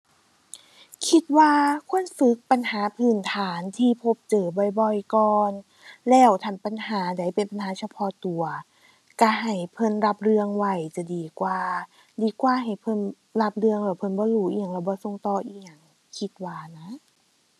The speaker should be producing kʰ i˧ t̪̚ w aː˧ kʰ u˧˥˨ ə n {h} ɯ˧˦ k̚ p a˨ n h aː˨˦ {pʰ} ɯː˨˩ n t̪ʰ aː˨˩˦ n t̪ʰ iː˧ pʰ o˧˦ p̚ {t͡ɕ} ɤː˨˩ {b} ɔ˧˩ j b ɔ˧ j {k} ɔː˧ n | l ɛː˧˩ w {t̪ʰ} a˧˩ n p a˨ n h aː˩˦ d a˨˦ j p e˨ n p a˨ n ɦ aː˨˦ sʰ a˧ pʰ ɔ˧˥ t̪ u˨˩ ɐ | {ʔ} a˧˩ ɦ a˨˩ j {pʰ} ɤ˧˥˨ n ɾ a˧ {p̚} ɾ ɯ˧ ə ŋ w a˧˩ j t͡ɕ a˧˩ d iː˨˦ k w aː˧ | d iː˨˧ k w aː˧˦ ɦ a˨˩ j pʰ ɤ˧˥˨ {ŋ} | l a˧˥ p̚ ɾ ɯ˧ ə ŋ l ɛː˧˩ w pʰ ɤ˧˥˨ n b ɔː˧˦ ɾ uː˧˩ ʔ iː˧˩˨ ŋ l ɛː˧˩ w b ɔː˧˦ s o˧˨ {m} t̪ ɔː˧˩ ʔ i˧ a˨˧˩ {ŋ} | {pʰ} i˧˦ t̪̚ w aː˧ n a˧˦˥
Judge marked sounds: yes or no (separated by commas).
no, yes, yes, yes, yes, yes, no, yes, yes, no, no, yes, no